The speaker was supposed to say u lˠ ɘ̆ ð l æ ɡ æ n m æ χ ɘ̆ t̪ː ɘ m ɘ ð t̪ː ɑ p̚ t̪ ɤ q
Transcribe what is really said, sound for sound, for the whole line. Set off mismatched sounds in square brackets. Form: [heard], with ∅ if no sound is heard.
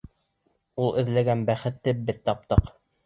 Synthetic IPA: u lˠ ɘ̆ ð l æ ɡ æ n [b] æ χ ɘ̆ t̪ː ɘ [b] ɘ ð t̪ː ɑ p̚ t̪ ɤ q